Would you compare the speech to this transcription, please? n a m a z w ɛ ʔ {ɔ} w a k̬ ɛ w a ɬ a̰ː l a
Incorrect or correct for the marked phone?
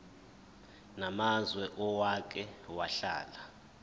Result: correct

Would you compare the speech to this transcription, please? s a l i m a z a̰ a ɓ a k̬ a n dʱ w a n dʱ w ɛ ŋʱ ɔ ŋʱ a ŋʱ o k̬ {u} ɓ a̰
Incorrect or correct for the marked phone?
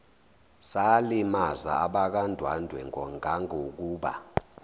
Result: incorrect: uː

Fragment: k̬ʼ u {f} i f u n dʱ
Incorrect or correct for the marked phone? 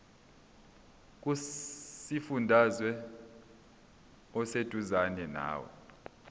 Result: incorrect: s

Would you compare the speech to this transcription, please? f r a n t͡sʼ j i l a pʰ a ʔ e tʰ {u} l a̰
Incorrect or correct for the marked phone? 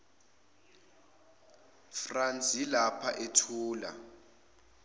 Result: incorrect: uː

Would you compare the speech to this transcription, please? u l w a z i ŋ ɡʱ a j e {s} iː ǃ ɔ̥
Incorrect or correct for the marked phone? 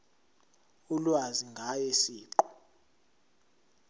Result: correct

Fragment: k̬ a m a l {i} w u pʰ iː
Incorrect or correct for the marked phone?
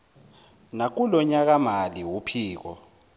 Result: correct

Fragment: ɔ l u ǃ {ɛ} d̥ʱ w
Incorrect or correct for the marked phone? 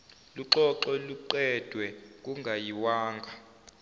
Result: correct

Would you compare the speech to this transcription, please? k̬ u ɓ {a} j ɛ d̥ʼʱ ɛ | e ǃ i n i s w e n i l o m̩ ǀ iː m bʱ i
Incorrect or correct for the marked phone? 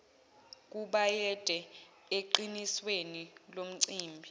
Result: correct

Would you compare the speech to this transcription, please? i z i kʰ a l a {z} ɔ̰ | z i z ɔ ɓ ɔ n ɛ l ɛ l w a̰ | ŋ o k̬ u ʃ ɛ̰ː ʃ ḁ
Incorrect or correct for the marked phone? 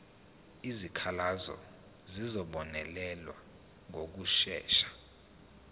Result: correct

